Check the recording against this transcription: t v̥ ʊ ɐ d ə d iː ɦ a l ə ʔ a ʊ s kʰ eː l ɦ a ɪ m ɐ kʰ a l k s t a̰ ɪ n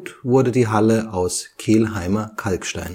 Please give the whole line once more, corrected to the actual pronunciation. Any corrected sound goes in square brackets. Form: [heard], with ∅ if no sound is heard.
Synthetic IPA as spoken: t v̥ ʊ ɐ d ə d iː ɦ a l ə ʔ a ʊ s kʰ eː l ɦ a ɪ m ɐ kʰ a l k [ʃ] t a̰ ɪ n

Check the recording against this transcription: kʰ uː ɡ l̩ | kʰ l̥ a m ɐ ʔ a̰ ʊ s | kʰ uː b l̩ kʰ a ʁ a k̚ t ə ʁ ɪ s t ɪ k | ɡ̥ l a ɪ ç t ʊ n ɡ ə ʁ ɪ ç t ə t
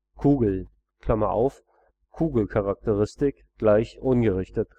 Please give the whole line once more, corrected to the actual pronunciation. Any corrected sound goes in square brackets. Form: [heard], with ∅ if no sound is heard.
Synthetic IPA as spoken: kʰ uː ɡ l̩ | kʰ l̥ a m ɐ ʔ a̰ ʊ [f] | kʰ uː [ɡ] l̩ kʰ a ʁ a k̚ t ə ʁ ɪ s t ɪ k | ɡ̥ l a ɪ ç [ʔ] ʊ n ɡ ə ʁ ɪ ç t ə t

